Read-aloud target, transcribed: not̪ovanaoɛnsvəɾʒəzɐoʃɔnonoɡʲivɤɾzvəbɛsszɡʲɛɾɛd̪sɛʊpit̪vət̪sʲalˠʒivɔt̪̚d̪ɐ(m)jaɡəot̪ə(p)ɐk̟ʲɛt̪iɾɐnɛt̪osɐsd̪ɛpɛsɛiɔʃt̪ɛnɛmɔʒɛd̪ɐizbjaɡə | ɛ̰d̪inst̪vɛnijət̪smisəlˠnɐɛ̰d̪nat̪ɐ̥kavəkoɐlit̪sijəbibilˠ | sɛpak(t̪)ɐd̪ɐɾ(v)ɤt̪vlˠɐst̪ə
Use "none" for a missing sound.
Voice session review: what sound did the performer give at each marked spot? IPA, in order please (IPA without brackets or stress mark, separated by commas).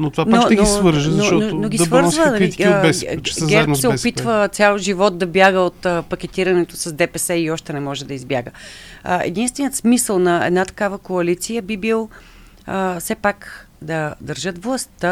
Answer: b, p, d̪, ʒ